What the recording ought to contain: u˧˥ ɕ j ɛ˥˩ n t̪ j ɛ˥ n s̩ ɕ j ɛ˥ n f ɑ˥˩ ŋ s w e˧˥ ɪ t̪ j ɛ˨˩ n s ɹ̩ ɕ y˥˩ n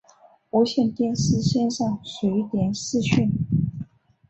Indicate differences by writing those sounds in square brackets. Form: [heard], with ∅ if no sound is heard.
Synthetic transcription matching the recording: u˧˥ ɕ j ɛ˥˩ n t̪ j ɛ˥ n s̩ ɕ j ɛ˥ n [ʂ] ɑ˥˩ ŋ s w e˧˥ ɪ t̪ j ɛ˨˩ n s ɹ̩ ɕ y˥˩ n